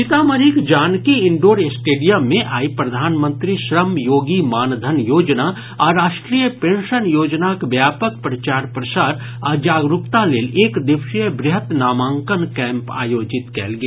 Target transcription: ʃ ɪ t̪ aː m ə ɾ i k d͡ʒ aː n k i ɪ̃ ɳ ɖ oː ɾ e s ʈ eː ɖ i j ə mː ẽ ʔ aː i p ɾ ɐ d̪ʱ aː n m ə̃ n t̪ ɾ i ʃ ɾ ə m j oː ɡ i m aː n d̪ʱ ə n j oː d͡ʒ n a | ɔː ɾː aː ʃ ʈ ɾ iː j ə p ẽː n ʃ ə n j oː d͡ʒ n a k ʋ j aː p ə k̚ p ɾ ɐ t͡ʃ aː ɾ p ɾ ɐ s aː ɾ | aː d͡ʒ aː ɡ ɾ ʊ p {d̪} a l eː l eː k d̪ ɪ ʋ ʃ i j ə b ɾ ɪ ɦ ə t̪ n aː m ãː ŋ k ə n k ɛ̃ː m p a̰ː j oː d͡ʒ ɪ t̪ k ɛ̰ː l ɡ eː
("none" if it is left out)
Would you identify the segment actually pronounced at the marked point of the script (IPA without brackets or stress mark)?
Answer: t̪